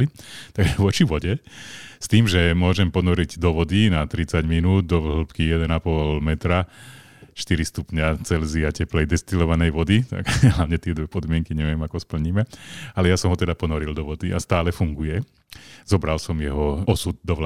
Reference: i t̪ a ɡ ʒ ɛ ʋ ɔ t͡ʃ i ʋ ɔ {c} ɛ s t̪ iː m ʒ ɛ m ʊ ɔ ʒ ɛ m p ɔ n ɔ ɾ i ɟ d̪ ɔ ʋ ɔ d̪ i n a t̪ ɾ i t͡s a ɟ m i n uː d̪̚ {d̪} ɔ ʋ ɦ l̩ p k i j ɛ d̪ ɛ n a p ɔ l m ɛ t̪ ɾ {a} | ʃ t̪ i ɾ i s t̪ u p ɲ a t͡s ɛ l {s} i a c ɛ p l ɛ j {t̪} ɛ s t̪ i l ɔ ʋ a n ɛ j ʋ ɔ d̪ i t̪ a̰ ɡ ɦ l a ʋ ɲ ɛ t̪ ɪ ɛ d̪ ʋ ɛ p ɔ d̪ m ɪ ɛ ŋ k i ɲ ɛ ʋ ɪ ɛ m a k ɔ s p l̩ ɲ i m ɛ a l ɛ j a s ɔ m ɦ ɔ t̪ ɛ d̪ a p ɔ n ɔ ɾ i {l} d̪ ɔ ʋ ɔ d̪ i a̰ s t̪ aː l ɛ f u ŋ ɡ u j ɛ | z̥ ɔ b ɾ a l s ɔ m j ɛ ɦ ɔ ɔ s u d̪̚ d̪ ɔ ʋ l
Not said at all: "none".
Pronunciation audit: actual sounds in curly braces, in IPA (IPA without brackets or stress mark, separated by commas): ɟ, d̪, a, z, d̪, l